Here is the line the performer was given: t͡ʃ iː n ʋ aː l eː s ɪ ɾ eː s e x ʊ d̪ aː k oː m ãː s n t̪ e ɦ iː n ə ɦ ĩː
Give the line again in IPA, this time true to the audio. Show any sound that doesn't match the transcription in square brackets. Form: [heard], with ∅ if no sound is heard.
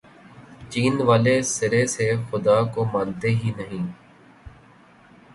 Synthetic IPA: t͡ʃ iː n ʋ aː l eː s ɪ ɾ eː s e x ʊ d̪ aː k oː m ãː [∅] n t̪ e ɦ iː n ə ɦ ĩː

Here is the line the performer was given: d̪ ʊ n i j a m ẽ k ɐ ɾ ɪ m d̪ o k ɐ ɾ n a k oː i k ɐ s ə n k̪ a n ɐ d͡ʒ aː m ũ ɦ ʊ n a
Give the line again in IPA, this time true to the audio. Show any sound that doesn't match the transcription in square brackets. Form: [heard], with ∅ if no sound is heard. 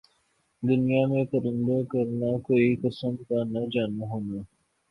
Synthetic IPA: d̪ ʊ n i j a m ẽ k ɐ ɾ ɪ [n] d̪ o k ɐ ɾ n a k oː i k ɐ s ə [m] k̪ a n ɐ d͡ʒ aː [n] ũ ɦ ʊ n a

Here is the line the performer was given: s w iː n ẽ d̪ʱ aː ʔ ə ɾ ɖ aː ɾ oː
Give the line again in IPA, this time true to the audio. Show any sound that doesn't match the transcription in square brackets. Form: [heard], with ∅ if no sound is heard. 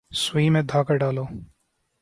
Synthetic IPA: s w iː [m] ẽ d̪ʱ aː [k] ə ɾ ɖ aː [l] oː

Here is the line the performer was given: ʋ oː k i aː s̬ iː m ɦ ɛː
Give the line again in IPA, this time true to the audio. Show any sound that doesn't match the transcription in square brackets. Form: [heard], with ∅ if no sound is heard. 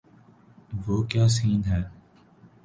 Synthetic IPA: ʋ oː k [j] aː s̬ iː [n] ɦ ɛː

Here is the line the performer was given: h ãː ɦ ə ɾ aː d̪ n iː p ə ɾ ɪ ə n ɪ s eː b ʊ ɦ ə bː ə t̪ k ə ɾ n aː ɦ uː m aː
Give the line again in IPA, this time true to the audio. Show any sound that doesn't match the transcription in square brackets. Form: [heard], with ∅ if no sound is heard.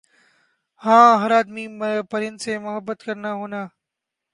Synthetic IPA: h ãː ɦ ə ɾ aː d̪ [m] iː p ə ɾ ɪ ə n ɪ s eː [m] ʊ ɦ ə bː ə t̪ k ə ɾ n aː ɦ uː [n] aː

